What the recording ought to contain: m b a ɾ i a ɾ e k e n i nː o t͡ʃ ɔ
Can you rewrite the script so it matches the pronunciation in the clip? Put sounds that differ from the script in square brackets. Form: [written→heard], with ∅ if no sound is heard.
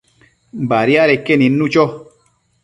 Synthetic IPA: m b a ɾ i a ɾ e k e n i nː [o→u] t͡ʃ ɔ